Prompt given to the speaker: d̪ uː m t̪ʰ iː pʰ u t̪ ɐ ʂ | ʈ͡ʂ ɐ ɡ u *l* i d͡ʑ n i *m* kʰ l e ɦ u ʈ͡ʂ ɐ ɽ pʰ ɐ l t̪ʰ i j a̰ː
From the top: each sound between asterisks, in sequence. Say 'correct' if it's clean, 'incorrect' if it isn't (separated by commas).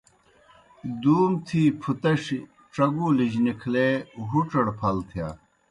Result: correct, incorrect